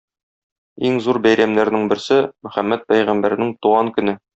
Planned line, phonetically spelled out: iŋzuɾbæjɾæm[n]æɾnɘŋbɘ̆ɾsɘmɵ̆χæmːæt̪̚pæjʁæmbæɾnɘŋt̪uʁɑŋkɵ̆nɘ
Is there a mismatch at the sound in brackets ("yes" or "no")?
no